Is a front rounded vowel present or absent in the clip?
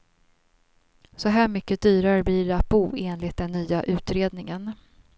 present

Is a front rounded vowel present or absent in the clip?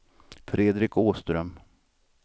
present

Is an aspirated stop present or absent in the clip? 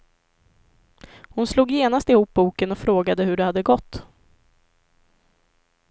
absent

